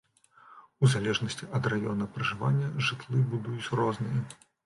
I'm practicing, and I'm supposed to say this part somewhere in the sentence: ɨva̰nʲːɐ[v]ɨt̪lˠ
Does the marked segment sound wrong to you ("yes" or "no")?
yes